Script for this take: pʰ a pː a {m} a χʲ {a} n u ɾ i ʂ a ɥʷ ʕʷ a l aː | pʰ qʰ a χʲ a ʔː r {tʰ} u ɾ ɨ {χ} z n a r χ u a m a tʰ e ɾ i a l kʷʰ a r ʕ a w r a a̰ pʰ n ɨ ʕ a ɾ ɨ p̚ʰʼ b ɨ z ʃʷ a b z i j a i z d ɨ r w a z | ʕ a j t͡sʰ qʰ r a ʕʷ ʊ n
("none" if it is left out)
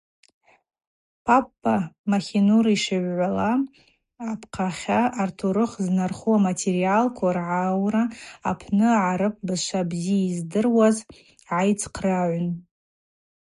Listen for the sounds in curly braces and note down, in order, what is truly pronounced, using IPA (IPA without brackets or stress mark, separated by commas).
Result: m, i, tʰ, χ